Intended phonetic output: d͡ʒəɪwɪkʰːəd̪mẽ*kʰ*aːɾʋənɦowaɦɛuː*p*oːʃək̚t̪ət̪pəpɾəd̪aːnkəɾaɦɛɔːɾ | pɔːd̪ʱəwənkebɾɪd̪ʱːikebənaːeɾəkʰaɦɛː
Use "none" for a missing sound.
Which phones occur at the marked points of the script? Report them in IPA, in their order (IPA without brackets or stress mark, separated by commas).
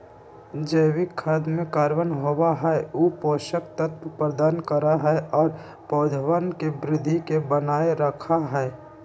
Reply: k, p